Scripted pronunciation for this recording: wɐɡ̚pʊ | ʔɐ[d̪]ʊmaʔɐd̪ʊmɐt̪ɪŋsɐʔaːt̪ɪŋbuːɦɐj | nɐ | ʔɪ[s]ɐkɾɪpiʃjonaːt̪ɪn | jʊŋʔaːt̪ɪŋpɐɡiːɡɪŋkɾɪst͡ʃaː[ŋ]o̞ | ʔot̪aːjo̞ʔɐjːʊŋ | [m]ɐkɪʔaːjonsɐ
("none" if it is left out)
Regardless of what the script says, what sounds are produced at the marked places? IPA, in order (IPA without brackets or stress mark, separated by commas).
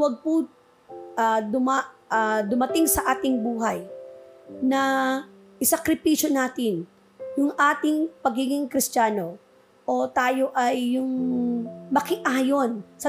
d̪, s, n, m